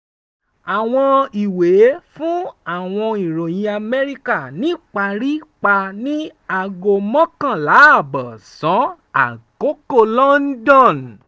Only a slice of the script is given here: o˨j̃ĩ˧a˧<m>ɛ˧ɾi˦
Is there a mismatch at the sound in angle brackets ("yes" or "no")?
no